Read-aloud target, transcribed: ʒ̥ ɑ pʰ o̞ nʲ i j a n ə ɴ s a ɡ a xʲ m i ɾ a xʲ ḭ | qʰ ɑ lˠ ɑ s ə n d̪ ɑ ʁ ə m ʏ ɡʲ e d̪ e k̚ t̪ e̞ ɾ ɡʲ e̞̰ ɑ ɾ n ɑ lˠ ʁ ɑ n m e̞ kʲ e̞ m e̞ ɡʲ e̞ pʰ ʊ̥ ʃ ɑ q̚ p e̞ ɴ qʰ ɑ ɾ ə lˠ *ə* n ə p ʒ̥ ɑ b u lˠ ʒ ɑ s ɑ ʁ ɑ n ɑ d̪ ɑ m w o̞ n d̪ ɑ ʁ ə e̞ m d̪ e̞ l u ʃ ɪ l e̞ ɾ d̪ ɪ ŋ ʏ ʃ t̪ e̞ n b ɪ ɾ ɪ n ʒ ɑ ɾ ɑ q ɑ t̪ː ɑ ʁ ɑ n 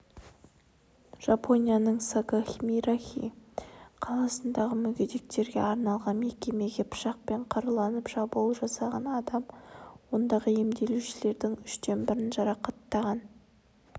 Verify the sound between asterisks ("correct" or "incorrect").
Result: incorrect